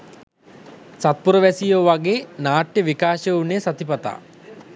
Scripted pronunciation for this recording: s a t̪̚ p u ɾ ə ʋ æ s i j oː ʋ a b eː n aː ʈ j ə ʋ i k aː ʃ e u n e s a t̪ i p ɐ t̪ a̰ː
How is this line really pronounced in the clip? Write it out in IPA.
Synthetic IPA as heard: s a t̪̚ p u ɾ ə ʋ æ s i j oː ʋ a ɡ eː n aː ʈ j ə ʋ i k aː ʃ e u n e s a t̪ i p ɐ t̪ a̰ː